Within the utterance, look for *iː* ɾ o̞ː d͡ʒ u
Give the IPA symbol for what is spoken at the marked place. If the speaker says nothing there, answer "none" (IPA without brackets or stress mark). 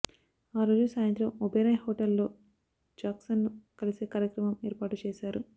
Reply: aː